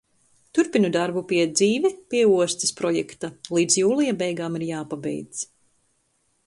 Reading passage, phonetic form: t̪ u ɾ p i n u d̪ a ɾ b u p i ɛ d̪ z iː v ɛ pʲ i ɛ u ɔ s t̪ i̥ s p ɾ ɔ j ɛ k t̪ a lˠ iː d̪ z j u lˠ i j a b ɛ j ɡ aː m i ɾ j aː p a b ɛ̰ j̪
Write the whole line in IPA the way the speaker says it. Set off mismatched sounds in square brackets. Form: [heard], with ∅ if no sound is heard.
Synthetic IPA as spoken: t̪ u ɾ p i n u d̪ a ɾ b u p i ɛ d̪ z iː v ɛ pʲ i ɛ u ɔ s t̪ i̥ s p ɾ ɔ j ɛ k t̪ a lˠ iː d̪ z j [uː] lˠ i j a b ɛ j ɡ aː m i ɾ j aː p a b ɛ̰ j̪